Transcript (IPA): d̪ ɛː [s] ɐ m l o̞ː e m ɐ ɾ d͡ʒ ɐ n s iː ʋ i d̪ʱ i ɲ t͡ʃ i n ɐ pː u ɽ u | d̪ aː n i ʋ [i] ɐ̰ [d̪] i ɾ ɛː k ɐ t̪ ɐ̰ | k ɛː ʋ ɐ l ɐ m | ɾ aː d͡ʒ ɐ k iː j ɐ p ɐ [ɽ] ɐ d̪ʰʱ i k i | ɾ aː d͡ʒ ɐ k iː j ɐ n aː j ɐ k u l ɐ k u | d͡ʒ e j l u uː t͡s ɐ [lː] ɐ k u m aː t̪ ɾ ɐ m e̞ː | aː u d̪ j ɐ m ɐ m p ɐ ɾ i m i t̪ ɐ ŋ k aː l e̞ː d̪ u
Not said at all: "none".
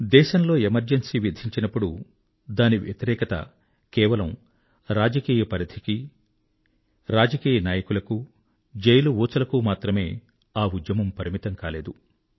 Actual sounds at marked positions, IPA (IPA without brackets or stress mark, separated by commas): ʃ, j, t̪, ɾ, l